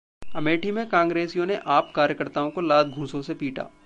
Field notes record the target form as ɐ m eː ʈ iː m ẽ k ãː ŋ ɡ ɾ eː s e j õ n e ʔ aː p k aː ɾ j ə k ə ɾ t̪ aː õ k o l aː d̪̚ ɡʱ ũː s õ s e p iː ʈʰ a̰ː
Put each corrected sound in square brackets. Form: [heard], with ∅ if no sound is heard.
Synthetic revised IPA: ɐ m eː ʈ [i] m ẽ k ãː ŋ ɡ ɾ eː s [i] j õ n e ʔ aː p k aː ɾ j ə k ə ɾ t̪ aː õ k o l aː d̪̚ ɡʱ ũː s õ s e p iː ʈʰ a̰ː